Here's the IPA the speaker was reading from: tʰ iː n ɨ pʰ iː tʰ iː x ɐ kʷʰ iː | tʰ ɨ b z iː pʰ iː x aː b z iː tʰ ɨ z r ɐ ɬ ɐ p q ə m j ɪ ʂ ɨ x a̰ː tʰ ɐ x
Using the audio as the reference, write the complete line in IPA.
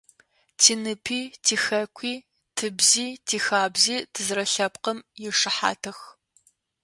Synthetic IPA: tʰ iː n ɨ pʰ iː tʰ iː x ɐ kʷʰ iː | tʰ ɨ b z iː tʰ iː x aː b z iː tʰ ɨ z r ɐ ɬ ɐ p q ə m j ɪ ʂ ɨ ħ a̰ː tʰ ɐ x